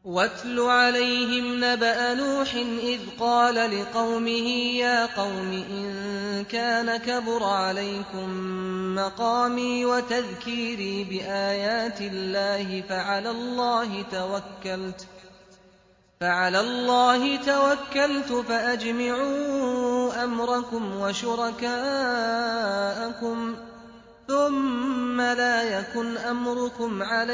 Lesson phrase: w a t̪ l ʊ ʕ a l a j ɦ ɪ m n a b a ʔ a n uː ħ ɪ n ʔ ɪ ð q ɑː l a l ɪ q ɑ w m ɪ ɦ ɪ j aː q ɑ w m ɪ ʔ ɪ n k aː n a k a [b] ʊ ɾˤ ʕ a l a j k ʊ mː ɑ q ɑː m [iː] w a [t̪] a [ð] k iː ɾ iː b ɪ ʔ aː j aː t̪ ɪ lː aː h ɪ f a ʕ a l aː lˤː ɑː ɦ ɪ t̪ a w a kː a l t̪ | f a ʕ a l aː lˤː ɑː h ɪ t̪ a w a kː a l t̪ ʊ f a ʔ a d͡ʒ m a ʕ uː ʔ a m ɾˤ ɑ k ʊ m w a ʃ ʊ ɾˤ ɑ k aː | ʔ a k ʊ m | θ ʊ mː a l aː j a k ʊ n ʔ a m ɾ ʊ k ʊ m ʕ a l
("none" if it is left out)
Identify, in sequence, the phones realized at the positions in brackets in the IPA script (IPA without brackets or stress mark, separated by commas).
b, iː, t̪, ð